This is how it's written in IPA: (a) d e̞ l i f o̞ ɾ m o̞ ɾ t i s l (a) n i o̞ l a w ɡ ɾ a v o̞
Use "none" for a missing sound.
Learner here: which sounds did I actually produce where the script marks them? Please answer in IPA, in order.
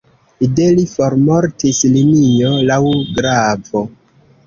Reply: i, i

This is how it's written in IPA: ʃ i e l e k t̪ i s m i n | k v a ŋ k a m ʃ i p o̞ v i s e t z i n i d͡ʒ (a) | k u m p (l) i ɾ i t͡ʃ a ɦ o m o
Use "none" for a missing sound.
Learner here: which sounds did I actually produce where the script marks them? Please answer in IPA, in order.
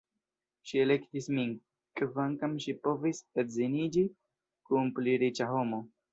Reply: i, l

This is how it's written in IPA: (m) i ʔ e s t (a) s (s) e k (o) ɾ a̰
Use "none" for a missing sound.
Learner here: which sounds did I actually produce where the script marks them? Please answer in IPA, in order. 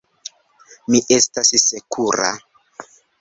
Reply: m, a, s, u

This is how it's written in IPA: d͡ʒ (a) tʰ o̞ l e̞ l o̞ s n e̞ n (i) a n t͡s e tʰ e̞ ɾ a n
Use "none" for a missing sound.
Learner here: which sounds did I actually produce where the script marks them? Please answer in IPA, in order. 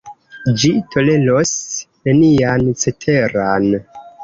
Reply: i, i

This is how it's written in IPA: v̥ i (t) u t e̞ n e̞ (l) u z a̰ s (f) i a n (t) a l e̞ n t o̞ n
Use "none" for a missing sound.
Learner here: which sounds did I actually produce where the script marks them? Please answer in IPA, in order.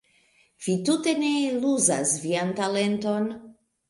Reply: t, l, v, t

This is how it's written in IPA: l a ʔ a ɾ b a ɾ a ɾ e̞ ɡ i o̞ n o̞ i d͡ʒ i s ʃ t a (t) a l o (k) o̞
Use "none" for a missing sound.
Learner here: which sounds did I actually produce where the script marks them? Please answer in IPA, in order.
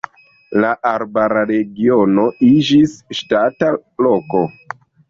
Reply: t, k

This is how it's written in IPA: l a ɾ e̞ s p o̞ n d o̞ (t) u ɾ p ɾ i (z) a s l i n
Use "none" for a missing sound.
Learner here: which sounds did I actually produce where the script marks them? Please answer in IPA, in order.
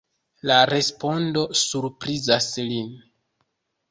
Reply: s, z

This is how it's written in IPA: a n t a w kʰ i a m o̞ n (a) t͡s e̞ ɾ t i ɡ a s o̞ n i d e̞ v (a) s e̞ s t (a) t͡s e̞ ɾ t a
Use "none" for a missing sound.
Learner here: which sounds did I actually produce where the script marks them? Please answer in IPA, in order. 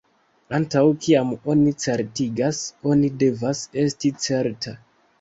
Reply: i, a, i

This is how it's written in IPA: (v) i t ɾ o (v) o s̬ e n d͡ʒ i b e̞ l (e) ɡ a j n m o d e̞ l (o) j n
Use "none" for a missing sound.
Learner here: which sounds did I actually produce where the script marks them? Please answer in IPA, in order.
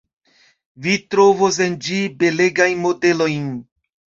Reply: v, v, e, o

